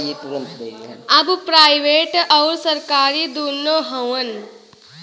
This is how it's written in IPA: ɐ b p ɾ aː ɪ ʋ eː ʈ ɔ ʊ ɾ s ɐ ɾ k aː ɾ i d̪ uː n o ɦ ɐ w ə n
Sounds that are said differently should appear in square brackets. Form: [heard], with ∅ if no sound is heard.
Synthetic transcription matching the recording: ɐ b p ɾ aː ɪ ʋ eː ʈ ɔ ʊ ɾ s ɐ ɾ k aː ɾ i d̪ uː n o ɦ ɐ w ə n